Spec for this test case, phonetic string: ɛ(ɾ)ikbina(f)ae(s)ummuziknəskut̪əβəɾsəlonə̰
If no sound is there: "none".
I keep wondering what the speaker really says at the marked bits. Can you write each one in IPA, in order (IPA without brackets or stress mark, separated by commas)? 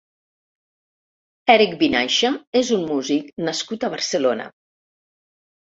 ɾ, ʃ, z